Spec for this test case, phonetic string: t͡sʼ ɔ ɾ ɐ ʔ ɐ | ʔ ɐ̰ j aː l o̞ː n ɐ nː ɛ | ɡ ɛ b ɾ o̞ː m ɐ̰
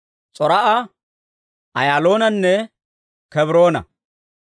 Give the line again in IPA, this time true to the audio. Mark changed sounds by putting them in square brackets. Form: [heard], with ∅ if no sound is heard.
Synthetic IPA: t͡sʼ ɔ ɾ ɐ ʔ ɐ | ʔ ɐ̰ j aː l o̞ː n ɐ nː ɛ | [k] ɛ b ɾ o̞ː [n] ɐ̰